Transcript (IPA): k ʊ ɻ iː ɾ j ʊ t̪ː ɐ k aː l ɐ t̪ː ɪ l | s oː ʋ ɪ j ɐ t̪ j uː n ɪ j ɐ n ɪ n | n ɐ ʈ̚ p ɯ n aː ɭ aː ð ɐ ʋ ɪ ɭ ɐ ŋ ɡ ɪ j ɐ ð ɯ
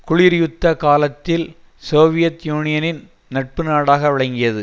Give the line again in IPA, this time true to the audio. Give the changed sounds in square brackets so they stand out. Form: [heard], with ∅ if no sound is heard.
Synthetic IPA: k ʊ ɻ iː ɾ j ʊ t̪ː ɐ k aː l ɐ t̪ː ɪ l | s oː ʋ ɪ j ɐ t̪ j uː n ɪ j ɐ n ɪ n | n ɐ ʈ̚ p ɯ n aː [ɽ] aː [ɣ] ɐ ʋ ɪ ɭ ɐ ŋ ɡ ɪ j ɐ ð ɯ